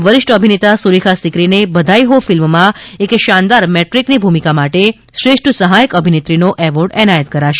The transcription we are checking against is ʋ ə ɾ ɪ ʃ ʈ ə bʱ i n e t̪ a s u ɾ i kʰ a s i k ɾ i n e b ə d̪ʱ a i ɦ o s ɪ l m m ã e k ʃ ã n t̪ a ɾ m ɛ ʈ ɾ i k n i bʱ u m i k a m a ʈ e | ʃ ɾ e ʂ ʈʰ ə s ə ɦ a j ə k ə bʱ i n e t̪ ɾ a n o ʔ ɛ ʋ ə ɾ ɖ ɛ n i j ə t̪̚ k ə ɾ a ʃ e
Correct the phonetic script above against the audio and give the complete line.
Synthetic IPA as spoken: ʋ ə ɾ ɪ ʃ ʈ ə bʱ i n e t̪ a s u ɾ i kʰ a s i k ɾ i n e b ə d̪ʱ a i ɦ o f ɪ l m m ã e k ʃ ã n d̪ a ɾ m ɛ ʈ ɾ i k n i bʱ u m i k a m a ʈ e | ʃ ɾ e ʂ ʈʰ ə s ə ɦ a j ə k ə bʱ i n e t̪ ɾ i n o ʔ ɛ ʋ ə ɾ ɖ ɛ n a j ə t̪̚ k ə ɾ a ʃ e